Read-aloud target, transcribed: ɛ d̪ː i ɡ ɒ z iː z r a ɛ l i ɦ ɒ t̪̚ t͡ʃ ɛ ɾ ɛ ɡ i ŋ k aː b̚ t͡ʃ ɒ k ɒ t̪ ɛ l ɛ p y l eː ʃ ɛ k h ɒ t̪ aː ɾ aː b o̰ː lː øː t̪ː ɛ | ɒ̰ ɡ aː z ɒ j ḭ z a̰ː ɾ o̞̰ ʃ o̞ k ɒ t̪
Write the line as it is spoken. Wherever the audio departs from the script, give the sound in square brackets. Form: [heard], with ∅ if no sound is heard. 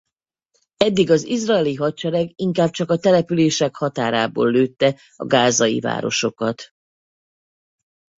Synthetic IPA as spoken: ɛ d̪ː i ɡ ɒ z [i] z r a ɛ l i ɦ ɒ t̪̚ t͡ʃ ɛ ɾ ɛ ɡ i ŋ k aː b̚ t͡ʃ ɒ k ɒ t̪ ɛ l ɛ p y l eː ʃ ɛ k h ɒ t̪ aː ɾ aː b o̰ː lː øː t̪ː ɛ | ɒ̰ ɡ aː z ɒ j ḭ [v] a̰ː ɾ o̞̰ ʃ o̞ k ɒ t̪

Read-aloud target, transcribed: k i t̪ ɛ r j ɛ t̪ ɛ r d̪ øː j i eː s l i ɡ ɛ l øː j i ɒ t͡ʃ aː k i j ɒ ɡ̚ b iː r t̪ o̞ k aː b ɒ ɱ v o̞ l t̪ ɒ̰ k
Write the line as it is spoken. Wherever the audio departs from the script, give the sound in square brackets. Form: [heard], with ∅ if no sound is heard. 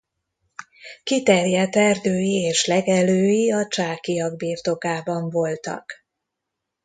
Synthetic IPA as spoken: k i t̪ ɛ r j ɛ t̪ ɛ r d̪ øː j i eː [ʃ] l [ɛ] ɡ ɛ l øː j i ɒ t͡ʃ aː k i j ɒ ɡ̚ b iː r t̪ o̞ k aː b ɒ ɱ v o̞ l t̪ ɒ̰ k

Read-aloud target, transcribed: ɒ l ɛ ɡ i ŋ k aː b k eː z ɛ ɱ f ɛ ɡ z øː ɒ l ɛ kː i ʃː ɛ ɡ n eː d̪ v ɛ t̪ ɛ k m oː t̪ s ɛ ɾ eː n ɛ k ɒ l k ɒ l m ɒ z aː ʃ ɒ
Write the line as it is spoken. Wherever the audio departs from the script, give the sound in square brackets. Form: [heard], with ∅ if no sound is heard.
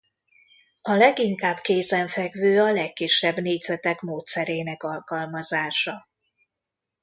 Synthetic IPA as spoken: ɒ l ɛ ɡ i ŋ k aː b k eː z ɛ ɱ f ɛ ɡ [v] øː ɒ l ɛ kː i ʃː ɛ [b] n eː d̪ [z] ɛ t̪ ɛ k m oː t̪ s ɛ ɾ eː n ɛ k ɒ l k ɒ l m ɒ z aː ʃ ɒ

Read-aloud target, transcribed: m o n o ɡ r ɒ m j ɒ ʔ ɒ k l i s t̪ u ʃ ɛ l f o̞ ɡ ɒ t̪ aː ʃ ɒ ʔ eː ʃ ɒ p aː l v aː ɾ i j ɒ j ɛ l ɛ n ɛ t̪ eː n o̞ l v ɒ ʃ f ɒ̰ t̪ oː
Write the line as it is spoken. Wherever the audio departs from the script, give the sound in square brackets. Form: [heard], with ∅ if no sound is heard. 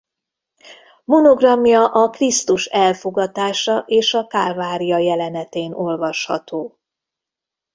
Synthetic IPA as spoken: m o n o ɡ r ɒ m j ɒ ʔ ɒ k [r] i s t̪ u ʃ ɛ l f o̞ ɡ ɒ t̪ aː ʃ ɒ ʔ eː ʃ ɒ [k] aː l v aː ɾ i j ɒ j ɛ l ɛ n ɛ t̪ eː n o̞ l v ɒ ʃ [h] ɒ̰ t̪ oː

